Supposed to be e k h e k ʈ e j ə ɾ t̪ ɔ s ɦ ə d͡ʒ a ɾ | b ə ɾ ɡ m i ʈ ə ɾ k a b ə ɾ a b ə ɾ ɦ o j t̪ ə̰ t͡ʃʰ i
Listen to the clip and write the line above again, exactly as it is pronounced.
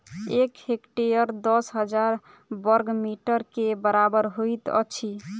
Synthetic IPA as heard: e k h e k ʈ e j ə ɾ d̪ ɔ s ɦ ə d͡ʒ a ɾ | b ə ɾ ɡ m i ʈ ə ɾ k e b ə ɾ a b ə ɾ ɦ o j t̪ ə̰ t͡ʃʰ i